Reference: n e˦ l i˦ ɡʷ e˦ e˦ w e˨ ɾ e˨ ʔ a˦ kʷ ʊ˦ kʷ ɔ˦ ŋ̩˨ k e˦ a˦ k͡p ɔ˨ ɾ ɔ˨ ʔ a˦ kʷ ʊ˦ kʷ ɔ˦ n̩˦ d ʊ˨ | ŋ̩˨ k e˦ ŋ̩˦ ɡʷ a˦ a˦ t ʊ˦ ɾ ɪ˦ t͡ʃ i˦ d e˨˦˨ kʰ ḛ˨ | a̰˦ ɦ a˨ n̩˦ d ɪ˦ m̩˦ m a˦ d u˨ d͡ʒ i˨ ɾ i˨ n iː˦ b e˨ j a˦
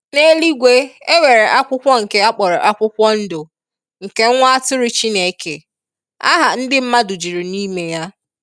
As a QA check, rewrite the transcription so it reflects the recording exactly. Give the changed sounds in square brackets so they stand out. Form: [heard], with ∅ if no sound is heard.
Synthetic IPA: n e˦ l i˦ ɡʷ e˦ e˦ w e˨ ɾ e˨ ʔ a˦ kʷ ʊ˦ kʷ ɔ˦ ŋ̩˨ k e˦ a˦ k͡p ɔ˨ ɾ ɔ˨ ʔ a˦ kʷ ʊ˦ kʷ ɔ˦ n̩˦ d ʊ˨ | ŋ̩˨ k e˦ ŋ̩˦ [ŋʷ] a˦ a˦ t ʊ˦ ɾ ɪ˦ t͡ʃ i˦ [n] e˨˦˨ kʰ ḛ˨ | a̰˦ ɦ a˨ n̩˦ d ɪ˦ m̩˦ m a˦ d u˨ d͡ʒ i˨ ɾ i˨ n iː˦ [m] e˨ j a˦